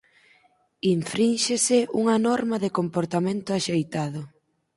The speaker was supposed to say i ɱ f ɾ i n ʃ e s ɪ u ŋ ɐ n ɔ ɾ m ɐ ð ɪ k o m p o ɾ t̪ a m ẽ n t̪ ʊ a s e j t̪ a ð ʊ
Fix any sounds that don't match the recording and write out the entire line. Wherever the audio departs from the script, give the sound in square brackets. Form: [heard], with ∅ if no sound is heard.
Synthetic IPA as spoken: i ɱ f ɾ i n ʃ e s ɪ u ŋ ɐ n ɔ ɾ m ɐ ð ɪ k o m p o ɾ t̪ a m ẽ n t̪ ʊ a [ʃ] e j t̪ a ð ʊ